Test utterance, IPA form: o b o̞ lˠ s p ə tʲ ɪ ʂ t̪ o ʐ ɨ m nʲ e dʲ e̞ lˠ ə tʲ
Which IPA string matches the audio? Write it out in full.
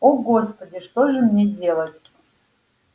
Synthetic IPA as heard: o ɡ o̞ s p ə dʲ ɪ ʂ t̪ o ʐ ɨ m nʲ e dʲ e̞ lˠ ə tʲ